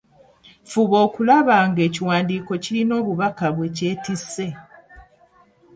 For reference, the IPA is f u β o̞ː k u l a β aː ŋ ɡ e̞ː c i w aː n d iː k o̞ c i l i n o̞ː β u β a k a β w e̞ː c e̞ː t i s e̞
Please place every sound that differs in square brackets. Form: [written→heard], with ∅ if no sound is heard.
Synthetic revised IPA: f u β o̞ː k u l a β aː ŋ ɡ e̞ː c i w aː n d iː k o̞ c i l i n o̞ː β u β a k a β w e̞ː c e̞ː t i s e̞